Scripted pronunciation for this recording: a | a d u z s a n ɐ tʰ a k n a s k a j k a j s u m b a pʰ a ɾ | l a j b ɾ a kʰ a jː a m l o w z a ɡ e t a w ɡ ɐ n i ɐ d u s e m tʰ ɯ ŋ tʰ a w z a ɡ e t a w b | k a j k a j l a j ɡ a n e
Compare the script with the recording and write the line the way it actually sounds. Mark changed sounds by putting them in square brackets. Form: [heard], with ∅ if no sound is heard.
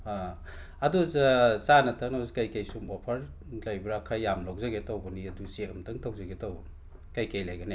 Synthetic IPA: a | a d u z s a n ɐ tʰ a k n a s k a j k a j s u m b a pʰ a ɾ | l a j b ɾ a kʰ a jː a m l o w z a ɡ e t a w [b] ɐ n i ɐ d u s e m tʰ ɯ ŋ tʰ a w z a ɡ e t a w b | k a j k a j l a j ɡ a n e

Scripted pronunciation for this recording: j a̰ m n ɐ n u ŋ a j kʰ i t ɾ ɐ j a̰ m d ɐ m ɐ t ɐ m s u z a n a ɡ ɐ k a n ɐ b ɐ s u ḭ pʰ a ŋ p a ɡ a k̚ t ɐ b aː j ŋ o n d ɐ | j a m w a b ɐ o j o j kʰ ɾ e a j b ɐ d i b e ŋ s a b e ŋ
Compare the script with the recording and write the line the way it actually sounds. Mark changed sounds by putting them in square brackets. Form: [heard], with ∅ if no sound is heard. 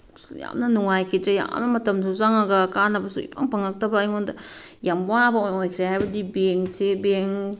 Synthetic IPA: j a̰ m n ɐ n u ŋ a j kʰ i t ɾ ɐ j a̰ m [n] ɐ m ɐ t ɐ m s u z a [ŋ] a ɡ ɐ k a n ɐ b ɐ s u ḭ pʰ a ŋ p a [ŋ] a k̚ t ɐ b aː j ŋ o n d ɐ | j a m w a b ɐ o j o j kʰ ɾ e a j b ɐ d i b e ŋ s [e] b e ŋ

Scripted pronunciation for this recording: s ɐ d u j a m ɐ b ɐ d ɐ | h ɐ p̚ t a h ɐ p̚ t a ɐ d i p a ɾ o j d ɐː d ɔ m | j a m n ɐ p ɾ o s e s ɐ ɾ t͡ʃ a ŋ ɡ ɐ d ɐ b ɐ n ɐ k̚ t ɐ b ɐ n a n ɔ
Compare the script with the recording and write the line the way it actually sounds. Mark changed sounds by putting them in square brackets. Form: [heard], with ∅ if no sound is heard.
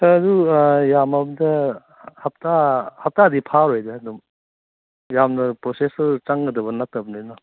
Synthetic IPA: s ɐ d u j a m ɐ b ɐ d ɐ | h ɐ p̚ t a h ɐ p̚ t a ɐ d i [pʰ] a ɾ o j d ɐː d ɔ m | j a m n ɐ p ɾ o s e s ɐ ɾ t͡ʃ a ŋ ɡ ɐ d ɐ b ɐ n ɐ k̚ t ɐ b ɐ n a n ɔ

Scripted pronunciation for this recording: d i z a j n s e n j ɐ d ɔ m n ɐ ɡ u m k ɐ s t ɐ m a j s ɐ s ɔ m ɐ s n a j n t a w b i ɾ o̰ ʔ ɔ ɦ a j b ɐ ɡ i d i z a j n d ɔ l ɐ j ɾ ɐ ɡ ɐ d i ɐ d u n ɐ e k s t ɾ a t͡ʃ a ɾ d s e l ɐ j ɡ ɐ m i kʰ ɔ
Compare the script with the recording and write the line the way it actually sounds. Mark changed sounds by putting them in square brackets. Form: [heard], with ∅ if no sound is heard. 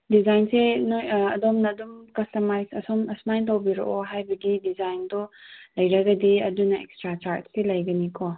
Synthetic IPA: d i z a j n s e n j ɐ d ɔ m n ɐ [d] u m k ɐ s t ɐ m a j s ɐ s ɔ m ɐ s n a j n t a w b i ɾ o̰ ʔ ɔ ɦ a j b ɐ ɡ i d i z a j n d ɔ l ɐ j ɾ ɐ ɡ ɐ d i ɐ d u n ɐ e k s t ɾ a t͡ʃ a ɾ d s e l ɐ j ɡ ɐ [n] i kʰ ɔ

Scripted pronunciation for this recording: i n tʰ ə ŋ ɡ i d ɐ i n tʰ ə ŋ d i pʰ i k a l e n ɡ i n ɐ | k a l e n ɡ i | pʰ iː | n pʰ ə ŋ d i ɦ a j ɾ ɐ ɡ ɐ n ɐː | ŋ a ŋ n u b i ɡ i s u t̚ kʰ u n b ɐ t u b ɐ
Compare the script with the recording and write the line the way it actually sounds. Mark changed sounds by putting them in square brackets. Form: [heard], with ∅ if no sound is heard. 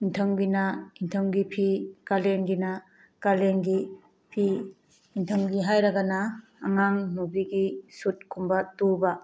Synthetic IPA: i n tʰ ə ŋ ɡ i [n] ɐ i n tʰ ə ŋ [ɡ] i pʰ i k a l e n ɡ i n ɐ | k a l e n ɡ i | pʰ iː | n [tʰ] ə ŋ [ɡ] i ɦ a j ɾ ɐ ɡ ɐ n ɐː | ŋ a ŋ n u b i ɡ i s u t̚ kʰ u [m] b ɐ t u b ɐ

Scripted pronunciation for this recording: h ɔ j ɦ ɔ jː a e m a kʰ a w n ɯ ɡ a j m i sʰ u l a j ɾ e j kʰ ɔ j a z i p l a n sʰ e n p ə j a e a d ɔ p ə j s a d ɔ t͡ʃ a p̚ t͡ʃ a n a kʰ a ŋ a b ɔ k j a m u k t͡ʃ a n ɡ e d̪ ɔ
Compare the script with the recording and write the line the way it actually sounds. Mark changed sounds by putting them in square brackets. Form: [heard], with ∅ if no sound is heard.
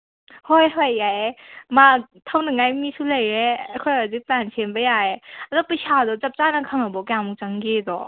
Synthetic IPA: h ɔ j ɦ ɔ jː a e m a [tʰ] a w n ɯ [ŋ] a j m i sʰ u l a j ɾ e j kʰ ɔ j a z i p l a n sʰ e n [b] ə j a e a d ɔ p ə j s a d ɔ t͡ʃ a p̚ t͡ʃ a n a kʰ a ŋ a b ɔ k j a m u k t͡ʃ a [ŋ] ɡ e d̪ ɔ

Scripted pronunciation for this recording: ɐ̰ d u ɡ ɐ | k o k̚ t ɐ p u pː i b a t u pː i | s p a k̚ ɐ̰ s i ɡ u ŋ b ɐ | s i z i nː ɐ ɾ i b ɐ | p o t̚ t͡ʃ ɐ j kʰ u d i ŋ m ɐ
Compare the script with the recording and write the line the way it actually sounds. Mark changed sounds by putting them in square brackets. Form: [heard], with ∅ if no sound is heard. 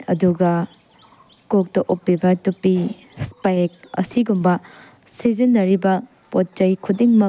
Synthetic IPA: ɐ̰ d u ɡ ɐ | k o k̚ t ɐ [ʔ] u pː i b [ɐ] t u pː i | s p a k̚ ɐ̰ s i ɡ u [m] b ɐ | s i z i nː ɐ ɾ i b ɐ | p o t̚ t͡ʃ ɐ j kʰ u d i ŋ m ɐ

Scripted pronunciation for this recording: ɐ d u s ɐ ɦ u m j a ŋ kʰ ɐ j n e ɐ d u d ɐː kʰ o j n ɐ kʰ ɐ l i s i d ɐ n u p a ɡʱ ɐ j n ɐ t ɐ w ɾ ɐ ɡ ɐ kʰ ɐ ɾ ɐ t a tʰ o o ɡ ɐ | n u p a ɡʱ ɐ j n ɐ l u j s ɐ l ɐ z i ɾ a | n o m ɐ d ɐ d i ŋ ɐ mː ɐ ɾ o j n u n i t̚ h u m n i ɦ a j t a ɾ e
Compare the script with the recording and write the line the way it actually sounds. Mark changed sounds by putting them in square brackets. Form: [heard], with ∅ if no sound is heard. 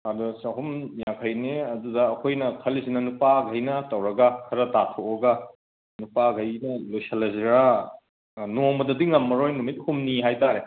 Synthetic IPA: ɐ d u s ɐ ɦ u m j a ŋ kʰ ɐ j n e ɐ d u d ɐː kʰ o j n ɐ kʰ ɐ l i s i [n] ɐ n u p a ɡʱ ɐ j n ɐ t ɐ w ɾ ɐ ɡ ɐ kʰ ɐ ɾ ɐ t a tʰ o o ɡ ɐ | n u p a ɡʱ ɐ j n ɐ l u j s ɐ l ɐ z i ɾ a | n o m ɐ d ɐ d i ŋ ɐ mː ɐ ɾ o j n u [m] i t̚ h u m n i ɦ a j t a ɾ e

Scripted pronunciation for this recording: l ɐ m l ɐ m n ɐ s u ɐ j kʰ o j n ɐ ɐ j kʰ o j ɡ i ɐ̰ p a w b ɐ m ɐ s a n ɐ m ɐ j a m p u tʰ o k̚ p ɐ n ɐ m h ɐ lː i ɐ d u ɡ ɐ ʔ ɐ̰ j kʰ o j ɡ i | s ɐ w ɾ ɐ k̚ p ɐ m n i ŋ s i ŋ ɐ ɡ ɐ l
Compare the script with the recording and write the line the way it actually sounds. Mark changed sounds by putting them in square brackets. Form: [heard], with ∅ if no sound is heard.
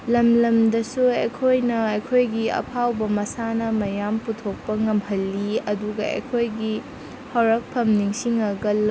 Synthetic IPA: l ɐ m l ɐ m [d] ɐ s u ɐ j kʰ o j n ɐ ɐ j kʰ o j ɡ i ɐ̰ [pʰ] a w b ɐ m ɐ s a n ɐ m ɐ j a m p u tʰ o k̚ p ɐ [ŋ] ɐ m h ɐ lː i ɐ d u ɡ ɐ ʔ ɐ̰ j kʰ o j ɡ i | [h] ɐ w ɾ ɐ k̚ [pʰ] ɐ m n i ŋ s i ŋ ɐ ɡ ɐ l

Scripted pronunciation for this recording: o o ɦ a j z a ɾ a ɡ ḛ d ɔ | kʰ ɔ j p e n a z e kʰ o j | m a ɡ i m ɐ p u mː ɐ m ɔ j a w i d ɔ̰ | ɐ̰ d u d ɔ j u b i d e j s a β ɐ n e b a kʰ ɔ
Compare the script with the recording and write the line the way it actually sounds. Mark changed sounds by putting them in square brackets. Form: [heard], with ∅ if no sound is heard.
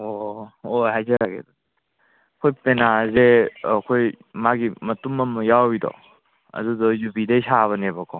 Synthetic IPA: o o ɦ a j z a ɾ a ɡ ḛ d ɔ | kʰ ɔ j p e n a z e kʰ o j | m a ɡ i m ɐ [t] u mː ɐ m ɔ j a w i d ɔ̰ | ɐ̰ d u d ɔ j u b i d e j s a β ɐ n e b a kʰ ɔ

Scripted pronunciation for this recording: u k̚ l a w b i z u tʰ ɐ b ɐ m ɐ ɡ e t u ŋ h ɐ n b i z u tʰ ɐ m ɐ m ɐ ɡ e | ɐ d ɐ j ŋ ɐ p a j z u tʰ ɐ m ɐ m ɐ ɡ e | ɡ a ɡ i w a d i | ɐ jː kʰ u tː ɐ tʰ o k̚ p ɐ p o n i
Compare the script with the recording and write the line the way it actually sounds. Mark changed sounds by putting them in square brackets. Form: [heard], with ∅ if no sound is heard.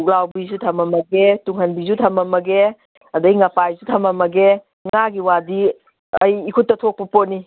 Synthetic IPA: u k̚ l a w b i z u tʰ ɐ [m] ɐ m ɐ ɡ e t u ŋ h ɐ n b i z u tʰ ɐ m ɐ m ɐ ɡ e | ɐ d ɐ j ŋ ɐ p a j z u tʰ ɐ m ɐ m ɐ ɡ e | [ŋ] a ɡ i w a d i | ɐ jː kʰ u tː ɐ tʰ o k̚ p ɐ p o n i

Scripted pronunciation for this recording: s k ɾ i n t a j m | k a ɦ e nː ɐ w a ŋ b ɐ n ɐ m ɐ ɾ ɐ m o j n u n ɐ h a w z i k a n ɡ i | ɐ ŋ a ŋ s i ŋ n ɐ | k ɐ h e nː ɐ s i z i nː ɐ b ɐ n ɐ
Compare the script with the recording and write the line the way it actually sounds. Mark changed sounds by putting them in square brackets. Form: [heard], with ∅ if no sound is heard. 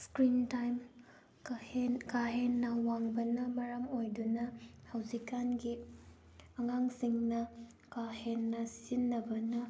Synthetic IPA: s k ɾ i n t a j m | k a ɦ e nː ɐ w a ŋ b ɐ n ɐ m ɐ ɾ ɐ m o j [d] u n ɐ h a w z i k a n ɡ i | ɐ ŋ a ŋ s i ŋ n ɐ | k [a] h e nː ɐ s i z i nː ɐ b ɐ n ɐ

